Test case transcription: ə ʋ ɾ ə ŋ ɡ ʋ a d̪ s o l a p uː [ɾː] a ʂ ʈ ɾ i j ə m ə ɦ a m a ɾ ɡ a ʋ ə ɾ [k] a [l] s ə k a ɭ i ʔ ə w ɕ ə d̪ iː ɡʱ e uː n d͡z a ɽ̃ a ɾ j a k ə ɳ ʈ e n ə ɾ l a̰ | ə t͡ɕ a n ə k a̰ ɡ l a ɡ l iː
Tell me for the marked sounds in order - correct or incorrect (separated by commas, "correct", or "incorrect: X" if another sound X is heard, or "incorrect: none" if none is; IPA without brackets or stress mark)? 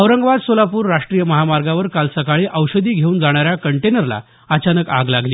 correct, correct, correct